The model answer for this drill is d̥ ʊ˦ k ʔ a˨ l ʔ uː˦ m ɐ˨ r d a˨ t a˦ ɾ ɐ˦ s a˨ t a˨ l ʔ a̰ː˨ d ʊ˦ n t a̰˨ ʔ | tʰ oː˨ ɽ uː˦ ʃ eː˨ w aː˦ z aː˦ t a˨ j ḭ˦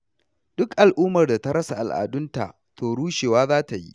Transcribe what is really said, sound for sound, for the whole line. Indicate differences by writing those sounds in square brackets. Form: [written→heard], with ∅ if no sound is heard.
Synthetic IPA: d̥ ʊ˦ k ʔ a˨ l ʔ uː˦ m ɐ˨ r d a˨ t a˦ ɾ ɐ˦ s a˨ [t→ʔ] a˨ l ʔ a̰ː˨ d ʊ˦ n t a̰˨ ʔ | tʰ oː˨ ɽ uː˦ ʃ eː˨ w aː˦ z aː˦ t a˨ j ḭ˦